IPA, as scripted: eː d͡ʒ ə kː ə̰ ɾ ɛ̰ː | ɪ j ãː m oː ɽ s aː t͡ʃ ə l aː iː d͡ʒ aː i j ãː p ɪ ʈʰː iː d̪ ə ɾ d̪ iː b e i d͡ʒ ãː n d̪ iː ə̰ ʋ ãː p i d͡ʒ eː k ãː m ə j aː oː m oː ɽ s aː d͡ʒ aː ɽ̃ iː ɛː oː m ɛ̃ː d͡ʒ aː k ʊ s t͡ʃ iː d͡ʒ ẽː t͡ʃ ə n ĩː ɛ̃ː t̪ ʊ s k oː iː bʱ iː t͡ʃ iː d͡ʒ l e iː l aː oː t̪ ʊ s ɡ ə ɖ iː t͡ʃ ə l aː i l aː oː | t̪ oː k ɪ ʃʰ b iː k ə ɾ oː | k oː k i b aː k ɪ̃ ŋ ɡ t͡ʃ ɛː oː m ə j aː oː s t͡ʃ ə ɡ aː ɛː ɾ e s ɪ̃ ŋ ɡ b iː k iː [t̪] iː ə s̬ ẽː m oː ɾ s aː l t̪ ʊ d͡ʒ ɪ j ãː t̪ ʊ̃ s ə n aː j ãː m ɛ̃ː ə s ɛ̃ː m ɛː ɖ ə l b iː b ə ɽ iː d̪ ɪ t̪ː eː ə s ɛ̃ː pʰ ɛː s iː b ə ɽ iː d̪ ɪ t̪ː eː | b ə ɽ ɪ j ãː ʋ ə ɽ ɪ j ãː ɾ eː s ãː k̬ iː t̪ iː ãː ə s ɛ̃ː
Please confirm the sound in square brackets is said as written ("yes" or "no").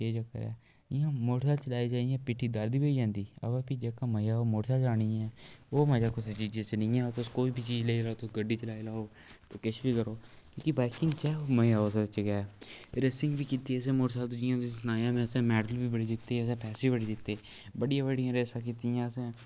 yes